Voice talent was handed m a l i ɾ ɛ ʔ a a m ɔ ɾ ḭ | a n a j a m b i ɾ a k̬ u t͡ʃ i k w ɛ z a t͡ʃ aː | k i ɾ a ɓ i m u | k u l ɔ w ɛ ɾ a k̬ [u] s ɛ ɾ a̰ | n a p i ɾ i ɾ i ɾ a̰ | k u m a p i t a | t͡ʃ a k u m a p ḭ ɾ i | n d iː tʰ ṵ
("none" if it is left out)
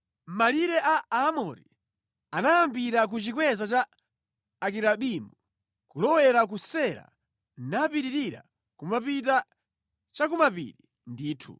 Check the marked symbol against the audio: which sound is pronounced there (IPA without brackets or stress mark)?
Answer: u